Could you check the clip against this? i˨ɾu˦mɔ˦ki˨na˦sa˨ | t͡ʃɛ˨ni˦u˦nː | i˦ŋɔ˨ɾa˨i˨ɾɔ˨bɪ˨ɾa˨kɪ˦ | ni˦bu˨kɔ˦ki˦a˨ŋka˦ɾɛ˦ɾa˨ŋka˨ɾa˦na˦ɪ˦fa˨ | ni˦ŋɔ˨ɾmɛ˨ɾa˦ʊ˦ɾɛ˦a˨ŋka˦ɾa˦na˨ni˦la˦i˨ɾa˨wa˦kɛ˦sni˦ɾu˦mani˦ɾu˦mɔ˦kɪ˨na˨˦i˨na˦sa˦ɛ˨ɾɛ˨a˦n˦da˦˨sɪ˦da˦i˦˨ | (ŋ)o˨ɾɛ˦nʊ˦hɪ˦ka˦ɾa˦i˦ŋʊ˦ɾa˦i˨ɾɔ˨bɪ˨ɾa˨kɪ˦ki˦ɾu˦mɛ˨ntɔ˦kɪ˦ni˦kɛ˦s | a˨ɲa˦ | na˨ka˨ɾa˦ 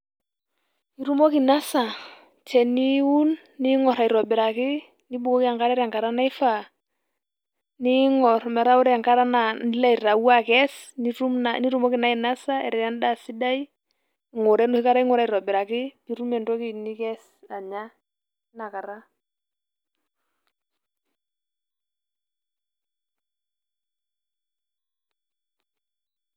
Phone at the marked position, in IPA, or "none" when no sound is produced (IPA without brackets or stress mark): ŋ